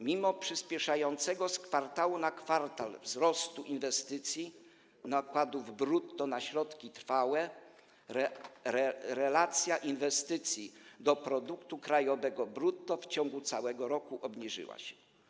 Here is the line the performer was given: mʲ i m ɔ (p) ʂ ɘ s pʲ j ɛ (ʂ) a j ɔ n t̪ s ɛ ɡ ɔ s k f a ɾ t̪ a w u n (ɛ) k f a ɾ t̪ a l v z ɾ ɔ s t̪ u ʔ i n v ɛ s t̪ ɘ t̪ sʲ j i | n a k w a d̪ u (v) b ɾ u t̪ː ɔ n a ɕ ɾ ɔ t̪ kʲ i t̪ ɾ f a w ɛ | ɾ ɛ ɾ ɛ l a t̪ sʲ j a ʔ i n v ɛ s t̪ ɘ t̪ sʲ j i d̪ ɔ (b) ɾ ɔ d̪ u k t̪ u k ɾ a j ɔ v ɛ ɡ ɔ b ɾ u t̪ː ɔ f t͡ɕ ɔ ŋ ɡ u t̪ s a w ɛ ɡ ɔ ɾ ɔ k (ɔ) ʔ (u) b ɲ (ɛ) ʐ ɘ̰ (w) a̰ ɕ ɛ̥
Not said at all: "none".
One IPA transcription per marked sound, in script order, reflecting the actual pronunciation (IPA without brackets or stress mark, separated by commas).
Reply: p, ʂ, a, v, p, u, ɔ, i, w